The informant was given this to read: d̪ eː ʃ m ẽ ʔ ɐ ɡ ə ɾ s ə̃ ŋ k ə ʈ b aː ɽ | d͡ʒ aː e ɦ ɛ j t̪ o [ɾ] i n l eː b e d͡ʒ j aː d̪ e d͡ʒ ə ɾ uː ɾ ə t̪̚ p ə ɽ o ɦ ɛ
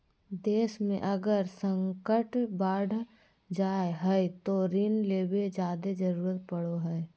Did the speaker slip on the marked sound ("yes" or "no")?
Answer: no